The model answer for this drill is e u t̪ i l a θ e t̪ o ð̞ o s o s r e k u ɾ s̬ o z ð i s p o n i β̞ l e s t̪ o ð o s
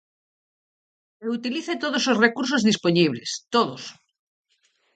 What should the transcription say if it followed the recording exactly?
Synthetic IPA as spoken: e u t̪ i l i θ e t̪ o ð̞ o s o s r e k u ɾ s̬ o z ð i s p o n i β̞ l e s t̪ o ð o s